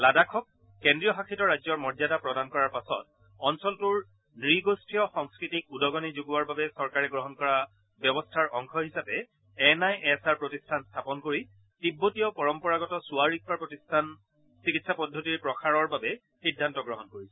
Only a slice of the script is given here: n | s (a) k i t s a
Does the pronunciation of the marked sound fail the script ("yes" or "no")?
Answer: yes